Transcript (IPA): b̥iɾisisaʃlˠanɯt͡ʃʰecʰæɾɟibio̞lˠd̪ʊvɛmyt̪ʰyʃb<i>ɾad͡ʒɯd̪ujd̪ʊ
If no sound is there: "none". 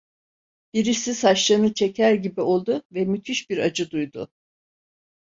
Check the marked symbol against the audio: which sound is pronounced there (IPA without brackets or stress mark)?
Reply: i